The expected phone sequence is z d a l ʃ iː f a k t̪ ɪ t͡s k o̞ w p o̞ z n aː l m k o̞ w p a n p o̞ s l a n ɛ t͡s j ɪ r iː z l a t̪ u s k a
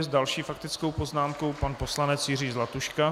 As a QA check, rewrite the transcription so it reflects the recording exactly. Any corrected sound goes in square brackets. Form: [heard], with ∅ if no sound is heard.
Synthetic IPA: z d a l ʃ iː f a k t̪ ɪ t͡s k o̞ w p o̞ z n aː [∅] m k o̞ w p a n p o̞ s l a n ɛ t͡s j ɪ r iː z l a t̪ u [ʃ] k a

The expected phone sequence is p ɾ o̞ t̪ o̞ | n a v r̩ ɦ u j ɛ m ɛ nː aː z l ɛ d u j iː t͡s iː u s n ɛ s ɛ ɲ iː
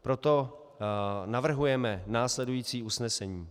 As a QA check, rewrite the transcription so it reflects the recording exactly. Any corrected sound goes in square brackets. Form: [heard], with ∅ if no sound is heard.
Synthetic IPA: p ɾ o̞ t̪ o̞ | n a v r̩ ɦ u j ɛ m ɛ [n] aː [s] l ɛ d u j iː t͡s iː u s n ɛ s ɛ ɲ iː

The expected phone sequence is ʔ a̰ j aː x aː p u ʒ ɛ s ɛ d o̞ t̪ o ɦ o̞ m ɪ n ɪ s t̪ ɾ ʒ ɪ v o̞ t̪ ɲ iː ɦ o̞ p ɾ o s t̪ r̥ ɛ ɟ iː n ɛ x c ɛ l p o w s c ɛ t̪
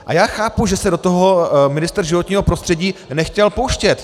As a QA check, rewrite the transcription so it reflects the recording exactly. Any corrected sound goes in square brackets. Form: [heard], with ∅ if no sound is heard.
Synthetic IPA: ʔ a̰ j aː x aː p u ʒ ɛ s ɛ d o̞ t̪ o ɦ o̞ m ɪ n ɪ s t̪ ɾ ʒ ɪ v o̞ t̪ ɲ iː ɦ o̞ p ɾ o s t̪ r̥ ɛ ɟ iː n ɛ x c ɛ l p o w [ʃ] c ɛ t̪

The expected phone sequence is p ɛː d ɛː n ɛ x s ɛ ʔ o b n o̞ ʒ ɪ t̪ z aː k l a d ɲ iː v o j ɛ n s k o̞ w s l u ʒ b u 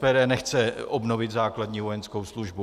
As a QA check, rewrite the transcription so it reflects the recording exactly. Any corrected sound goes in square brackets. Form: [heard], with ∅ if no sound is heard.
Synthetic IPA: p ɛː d ɛː n ɛ x [t͡s] ɛ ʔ o b n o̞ [v] ɪ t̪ z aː k l a d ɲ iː v o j ɛ n s k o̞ w s l u ʒ b u

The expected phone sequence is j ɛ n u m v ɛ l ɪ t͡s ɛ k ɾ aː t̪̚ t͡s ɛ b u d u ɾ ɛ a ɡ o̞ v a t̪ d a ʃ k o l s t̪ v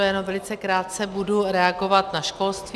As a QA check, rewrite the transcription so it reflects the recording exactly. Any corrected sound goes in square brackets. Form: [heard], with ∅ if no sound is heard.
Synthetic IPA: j ɛ n [o] m v ɛ l ɪ t͡s ɛ k ɾ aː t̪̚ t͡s ɛ b u d u ɾ ɛ a ɡ o̞ v a t̪ [n] a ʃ k o l s t̪ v

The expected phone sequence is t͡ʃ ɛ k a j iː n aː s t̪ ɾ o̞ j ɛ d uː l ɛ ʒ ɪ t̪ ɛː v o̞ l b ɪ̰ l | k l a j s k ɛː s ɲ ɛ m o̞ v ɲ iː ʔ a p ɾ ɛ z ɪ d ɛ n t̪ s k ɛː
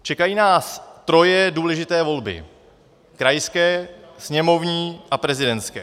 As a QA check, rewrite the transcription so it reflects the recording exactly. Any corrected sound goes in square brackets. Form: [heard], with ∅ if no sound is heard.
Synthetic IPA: t͡ʃ ɛ k a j iː n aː s t̪ ɾ o̞ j ɛ d uː l ɛ ʒ ɪ t̪ ɛː v o̞ l b ɪ̰ [∅] | k [ɾ] a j s k ɛː s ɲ ɛ m o̞ v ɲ iː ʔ a p ɾ ɛ z ɪ d ɛ n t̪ s k ɛː

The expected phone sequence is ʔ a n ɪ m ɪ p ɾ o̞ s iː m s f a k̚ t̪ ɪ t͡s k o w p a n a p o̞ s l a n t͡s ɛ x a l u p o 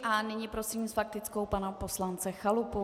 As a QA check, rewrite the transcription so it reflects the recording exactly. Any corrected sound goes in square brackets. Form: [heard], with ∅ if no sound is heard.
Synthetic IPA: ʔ a n ɪ [ɲ] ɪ p ɾ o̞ s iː m s f a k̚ t̪ ɪ t͡s k o w p a n a p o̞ s l a n t͡s ɛ x a l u p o

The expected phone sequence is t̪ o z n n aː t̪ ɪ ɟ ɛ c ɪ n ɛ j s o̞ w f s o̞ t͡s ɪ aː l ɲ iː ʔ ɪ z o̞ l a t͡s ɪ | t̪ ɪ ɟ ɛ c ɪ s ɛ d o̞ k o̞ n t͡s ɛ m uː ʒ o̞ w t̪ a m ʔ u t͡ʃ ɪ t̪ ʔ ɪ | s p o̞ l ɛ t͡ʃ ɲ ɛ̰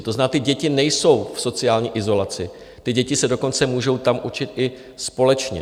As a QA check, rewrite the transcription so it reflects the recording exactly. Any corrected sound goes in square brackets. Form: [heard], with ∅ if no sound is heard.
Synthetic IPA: t̪ o z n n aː t̪ ɪ ɟ ɛ c ɪ n ɛ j s o̞ w f s o̞ t͡s ɪ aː l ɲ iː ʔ ɪ z o̞ l a t͡s ɪ | t̪ ɪ ɟ ɛ c ɪ s ɛ d o̞ k o̞ n t͡s ɛ m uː ʒ o̞ w t̪ a m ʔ u t͡ʃ ɪ t̪ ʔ ɪ | s p o̞ l ɛ t͡ʃ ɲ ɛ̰

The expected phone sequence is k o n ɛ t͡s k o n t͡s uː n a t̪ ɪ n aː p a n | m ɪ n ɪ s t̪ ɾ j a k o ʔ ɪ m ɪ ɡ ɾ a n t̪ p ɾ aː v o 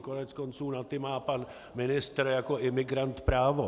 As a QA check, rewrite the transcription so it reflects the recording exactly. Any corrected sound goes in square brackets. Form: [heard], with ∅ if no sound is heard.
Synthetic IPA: k o n ɛ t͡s k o n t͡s uː n a t̪ ɪ [m] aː p a n | m ɪ n ɪ s t̪ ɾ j a k o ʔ ɪ m ɪ ɡ ɾ a n t̪ p ɾ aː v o

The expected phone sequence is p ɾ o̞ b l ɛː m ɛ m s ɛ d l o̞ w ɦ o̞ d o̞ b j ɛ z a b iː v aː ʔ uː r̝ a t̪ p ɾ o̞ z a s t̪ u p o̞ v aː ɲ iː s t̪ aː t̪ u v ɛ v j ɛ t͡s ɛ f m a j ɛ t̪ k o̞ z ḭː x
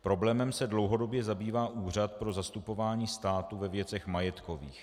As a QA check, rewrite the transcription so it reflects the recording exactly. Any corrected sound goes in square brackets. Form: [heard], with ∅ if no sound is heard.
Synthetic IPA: p ɾ o̞ b l ɛː m ɛ m s ɛ d l o̞ w ɦ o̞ d o̞ b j ɛ z a b iː v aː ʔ uː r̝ a t̪ p ɾ o̞ z a s t̪ u p o̞ v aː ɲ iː s t̪ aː t̪ u v ɛ v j ɛ t͡s ɛ [x] m a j ɛ t̪ k o̞ [v] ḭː x

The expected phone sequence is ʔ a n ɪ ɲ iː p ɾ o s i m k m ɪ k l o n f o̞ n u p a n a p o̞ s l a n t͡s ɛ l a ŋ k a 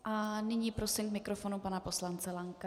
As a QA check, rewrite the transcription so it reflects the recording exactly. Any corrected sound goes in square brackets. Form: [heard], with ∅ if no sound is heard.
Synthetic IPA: ʔ a n ɪ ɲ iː p ɾ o s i m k m ɪ k [ɾ] o [∅] f o̞ n u p a n a p o̞ s l a n t͡s ɛ l a ŋ k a

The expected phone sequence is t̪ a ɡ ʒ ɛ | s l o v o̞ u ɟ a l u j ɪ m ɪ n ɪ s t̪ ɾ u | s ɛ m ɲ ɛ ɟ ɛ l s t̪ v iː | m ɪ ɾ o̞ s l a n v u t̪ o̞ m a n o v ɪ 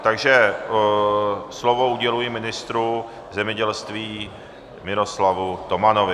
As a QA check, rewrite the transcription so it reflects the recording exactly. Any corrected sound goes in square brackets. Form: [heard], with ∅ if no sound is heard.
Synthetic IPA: t̪ a ɡ ʒ ɛ | s l o v o̞ u ɟ [ɛ] l u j ɪ m ɪ n ɪ s t̪ ɾ u | [z] ɛ m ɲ ɛ ɟ ɛ l s t̪ v iː | m ɪ ɾ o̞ s l a [∅] v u t̪ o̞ m a n o v ɪ

